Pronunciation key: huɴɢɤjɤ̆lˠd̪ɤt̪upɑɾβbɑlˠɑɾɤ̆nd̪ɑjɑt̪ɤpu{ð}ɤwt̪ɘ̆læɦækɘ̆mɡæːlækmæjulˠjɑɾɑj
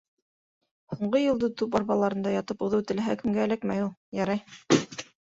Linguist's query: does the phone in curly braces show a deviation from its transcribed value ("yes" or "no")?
no